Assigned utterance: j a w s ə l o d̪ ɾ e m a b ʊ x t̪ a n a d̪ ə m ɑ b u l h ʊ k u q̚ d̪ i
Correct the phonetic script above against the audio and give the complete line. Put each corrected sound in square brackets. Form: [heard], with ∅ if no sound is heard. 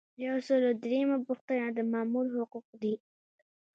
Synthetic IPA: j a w s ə l o d̪ ɾ e m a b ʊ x t̪ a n a d̪ ə m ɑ [m] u l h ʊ [q] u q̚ d̪ i